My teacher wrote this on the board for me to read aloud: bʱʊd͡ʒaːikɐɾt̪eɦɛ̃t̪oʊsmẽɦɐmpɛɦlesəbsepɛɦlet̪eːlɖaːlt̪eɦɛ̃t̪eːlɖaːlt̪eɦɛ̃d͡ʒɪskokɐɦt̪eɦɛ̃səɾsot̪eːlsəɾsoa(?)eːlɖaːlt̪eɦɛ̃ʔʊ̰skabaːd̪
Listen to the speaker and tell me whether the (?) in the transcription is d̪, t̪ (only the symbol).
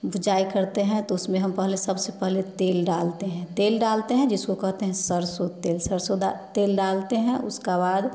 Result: t̪